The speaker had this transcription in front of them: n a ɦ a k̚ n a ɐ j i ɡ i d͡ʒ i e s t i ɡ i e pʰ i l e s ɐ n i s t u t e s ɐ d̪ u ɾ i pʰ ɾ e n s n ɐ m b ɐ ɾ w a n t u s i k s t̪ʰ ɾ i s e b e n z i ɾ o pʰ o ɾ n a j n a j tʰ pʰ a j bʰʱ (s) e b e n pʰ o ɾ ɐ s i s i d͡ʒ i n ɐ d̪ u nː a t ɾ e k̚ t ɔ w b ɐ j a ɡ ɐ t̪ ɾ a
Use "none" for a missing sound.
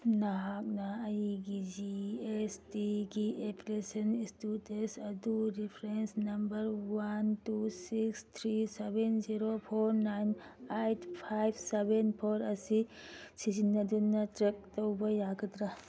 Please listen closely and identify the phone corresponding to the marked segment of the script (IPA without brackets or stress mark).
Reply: s